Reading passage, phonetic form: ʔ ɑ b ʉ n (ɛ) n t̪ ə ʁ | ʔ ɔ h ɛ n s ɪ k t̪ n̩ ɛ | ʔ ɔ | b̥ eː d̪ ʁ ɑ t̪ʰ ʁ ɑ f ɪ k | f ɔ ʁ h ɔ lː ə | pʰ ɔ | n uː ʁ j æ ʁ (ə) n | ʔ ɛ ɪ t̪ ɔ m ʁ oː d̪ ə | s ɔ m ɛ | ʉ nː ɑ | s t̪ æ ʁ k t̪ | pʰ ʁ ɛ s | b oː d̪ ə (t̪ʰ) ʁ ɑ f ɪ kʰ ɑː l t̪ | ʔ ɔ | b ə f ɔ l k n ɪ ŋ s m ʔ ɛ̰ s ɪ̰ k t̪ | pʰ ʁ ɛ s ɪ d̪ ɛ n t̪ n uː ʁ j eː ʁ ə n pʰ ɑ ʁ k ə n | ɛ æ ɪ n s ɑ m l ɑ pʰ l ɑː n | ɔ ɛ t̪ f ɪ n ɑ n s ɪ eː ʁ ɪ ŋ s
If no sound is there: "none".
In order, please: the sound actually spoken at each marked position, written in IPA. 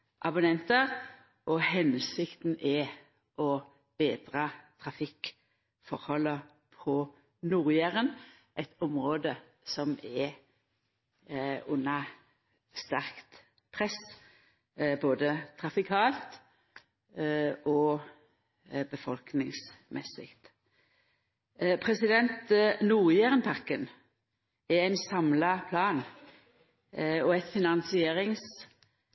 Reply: ɛ, ə, t̪ʰ

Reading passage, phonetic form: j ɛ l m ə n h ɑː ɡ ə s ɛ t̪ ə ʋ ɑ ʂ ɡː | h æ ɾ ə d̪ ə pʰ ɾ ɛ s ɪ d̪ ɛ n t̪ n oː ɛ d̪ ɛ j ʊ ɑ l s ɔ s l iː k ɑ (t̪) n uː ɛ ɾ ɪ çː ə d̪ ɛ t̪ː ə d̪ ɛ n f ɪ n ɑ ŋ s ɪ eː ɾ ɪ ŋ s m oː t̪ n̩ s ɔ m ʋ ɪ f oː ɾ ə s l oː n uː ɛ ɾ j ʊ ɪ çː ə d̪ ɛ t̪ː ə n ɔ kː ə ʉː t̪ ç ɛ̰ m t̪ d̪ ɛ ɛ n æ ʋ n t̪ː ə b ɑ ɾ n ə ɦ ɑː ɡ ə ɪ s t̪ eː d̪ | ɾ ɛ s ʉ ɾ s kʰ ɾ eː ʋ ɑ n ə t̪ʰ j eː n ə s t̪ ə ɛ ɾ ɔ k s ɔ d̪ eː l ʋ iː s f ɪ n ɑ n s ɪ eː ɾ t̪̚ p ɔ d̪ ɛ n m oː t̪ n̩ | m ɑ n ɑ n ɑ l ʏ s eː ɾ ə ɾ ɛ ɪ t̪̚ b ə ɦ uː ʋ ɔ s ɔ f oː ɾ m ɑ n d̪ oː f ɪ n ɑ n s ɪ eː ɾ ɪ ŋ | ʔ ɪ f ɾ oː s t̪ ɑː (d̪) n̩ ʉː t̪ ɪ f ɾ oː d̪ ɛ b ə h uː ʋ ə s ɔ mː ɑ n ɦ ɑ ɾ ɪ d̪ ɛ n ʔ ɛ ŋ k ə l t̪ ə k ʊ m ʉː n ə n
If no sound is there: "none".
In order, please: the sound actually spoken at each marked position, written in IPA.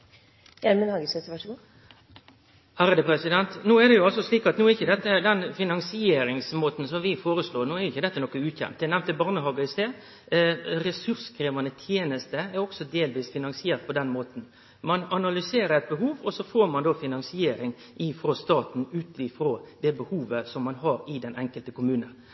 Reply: t̪, t̪

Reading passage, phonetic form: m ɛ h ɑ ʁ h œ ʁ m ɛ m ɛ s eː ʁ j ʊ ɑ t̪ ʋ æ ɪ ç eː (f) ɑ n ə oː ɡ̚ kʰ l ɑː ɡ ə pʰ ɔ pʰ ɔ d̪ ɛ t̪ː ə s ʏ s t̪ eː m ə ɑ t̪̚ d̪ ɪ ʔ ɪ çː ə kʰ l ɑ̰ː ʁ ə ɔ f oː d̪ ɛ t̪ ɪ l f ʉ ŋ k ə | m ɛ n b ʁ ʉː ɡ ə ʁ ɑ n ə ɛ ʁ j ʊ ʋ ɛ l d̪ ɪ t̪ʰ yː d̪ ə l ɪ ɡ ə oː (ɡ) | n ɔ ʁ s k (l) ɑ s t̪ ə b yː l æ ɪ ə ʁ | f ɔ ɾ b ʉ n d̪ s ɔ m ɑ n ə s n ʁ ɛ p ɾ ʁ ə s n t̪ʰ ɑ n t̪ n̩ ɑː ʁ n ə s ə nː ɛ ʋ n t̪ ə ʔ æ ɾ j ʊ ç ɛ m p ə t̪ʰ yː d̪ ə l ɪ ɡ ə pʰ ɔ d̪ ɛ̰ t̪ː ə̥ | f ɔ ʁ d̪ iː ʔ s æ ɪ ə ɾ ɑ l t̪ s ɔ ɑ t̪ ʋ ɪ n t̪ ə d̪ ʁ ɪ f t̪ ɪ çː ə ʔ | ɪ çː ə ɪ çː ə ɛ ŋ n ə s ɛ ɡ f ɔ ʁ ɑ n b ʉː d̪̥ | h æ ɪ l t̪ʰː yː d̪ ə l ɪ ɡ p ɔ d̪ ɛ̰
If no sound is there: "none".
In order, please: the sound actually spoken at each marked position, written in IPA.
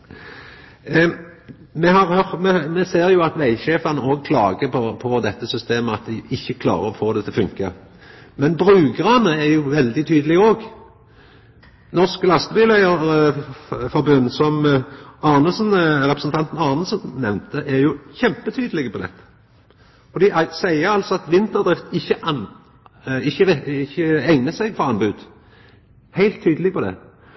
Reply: f, ɡ, l

